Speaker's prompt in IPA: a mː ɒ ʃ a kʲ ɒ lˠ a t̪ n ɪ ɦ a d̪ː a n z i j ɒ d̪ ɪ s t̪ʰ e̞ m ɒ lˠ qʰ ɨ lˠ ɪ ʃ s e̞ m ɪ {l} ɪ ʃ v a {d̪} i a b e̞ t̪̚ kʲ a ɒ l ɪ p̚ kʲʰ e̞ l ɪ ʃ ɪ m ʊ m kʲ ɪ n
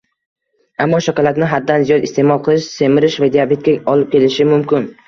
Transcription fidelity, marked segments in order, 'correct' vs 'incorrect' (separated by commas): incorrect, correct